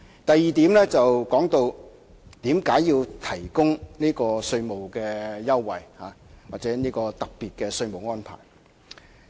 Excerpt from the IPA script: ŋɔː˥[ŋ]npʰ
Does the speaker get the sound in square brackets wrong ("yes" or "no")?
yes